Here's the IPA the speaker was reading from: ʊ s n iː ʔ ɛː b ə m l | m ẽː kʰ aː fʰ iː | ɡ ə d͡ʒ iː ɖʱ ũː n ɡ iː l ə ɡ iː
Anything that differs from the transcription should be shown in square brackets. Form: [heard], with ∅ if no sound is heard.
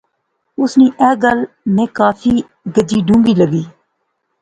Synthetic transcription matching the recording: ʊ s n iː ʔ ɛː [ɡ] ə [∅] l | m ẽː [k] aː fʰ iː | ɡ ə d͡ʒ iː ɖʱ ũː [ŋ] ɡ iː l ə ɡ iː